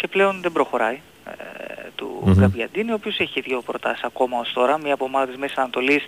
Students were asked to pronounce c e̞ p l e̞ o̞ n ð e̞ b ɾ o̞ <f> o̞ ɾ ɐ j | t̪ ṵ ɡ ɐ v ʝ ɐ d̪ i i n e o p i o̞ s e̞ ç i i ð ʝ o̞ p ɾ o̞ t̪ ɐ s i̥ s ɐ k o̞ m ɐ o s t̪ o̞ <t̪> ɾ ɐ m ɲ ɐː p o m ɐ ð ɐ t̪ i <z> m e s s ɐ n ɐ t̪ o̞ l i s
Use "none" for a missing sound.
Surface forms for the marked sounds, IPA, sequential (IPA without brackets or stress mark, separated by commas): x, none, z